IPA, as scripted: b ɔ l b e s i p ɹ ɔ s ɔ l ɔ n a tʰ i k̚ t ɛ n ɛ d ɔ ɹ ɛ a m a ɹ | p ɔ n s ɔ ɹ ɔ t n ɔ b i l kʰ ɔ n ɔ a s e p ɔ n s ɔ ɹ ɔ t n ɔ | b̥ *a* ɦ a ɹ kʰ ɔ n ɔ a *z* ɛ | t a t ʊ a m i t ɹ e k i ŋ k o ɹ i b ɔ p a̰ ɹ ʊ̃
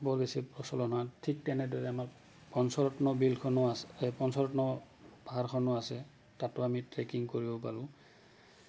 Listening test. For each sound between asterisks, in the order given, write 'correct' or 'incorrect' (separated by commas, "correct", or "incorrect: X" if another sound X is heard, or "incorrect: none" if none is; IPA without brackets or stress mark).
correct, incorrect: s